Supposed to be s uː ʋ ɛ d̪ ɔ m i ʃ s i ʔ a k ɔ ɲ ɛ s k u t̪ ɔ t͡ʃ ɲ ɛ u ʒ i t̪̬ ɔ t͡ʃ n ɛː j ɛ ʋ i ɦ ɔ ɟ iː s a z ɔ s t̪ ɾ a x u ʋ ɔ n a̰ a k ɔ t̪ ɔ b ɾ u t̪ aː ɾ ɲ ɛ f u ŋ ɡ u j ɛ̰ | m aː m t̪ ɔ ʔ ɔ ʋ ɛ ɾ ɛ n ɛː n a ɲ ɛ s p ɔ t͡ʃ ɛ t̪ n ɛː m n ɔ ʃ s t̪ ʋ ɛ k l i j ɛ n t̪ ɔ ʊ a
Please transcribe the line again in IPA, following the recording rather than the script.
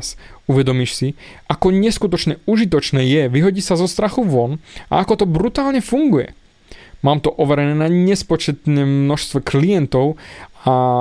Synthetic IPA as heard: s u ʋ ɛ d̪ ɔ m i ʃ s i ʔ a k ɔ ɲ ɛ s k u t̪ ɔ t͡ʃ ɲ ɛ u ʒ i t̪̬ ɔ t͡ʃ n ɛː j ɛ ʋ i ɦ ɔ ɟ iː s a z ɔ s t̪ ɾ a x u ʋ ɔ n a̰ a k ɔ t̪ ɔ b ɾ u t̪ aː l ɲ ɛ f u ŋ ɡ u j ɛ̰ | m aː m t̪ ɔ ʔ ɔ ʋ ɛ ɾ ɛ n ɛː n a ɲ ɛ s p ɔ t͡ʃ ɛ t̪ n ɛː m n ɔ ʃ s t̪ ʋ ɛ k l i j ɛ n t̪ ɔ ʊ a